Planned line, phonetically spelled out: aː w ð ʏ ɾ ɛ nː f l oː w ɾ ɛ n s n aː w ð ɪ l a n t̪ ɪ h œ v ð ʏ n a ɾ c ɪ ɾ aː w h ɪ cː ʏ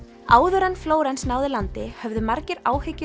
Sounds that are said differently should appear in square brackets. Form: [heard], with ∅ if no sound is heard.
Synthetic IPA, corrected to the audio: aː w ð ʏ ɾ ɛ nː f l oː w ɾ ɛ n s n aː w ð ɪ l a n t̪ ɪ h œ v ð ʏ [m] a ɾ c ɪ ɾ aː w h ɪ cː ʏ

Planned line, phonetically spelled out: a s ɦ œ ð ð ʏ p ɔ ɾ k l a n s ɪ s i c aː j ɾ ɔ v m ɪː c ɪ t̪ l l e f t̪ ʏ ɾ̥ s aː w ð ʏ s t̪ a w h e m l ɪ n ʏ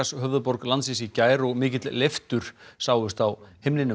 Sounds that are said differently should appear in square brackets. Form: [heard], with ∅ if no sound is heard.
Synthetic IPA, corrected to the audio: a s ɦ œ [v] ð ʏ p ɔ ɾ k l a n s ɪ s i c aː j ɾ ɔ [ɣ] m ɪː c ɪ t̪ l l e f t̪ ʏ ɾ̥ s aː w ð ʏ s t̪ a w h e m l ɪ n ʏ

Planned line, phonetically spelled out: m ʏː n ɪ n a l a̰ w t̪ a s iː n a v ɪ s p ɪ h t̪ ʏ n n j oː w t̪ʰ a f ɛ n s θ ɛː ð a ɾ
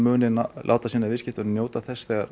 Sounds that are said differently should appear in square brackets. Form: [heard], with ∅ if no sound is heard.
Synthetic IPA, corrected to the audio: m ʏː n ɪ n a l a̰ w t̪ a s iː n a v ɪ s [c] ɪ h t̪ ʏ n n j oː w [t̪] a [θ] ɛ [∅] s θ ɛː [ɣ] a ɾ

